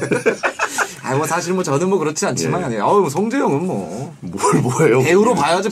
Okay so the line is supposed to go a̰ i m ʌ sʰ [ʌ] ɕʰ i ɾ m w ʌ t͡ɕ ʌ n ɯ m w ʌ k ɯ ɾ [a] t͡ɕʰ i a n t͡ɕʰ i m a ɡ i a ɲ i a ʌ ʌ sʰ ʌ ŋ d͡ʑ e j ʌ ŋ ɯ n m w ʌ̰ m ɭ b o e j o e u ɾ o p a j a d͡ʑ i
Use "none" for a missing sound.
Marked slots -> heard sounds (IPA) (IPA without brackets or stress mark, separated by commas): a, ʌ